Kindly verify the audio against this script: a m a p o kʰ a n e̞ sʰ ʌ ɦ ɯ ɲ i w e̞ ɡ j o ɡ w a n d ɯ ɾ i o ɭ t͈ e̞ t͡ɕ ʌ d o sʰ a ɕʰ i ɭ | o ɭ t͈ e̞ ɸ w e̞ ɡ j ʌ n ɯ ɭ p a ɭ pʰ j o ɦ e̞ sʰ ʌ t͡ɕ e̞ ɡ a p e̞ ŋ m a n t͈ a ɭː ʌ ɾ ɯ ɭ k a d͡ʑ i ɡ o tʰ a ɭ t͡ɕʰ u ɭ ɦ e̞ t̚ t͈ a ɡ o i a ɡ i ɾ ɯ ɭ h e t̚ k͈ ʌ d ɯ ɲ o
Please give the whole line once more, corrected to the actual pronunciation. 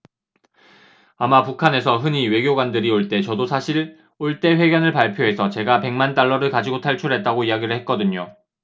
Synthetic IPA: a m a p u kʰ a n e̞ sʰ ʌ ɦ ɯ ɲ i w e̞ ɡ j o ɡ w a n d ɯ ɾ i o ɭ t͈ e̞ t͡ɕ ʌ d o sʰ a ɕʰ i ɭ | o ɭ t͈ e̞ ɸ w e̞ ɡ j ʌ n ɯ ɭ p a ɭ pʰ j o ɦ e̞ sʰ ʌ t͡ɕ e̞ ɡ a p e̞ ŋ m a n t͈ a ɭː ʌ ɾ ɯ ɭ k a d͡ʑ i ɡ o tʰ a ɭ t͡ɕʰ u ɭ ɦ e̞ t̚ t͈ a ɡ o i a ɡ i ɾ ɯ ɭ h e t̚ k͈ ʌ d ɯ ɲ o